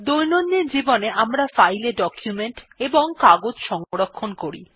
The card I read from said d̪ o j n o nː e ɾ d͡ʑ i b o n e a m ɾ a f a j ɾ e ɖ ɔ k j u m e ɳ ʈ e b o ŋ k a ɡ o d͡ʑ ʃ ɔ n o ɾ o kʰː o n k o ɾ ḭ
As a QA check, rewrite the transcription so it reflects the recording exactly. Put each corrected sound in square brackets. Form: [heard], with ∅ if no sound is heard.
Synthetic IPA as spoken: d̪ o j n o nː e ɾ d͡ʑ i b o n e a m ɾ a f a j [l] e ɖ ɔ k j u m e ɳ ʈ e b o ŋ k a ɡ o d͡ʑ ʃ ɔ [ŋ] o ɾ o kʰː o n k o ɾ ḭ